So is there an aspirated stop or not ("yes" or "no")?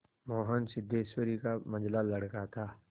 yes